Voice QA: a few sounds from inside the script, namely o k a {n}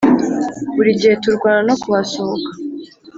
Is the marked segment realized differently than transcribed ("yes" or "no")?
yes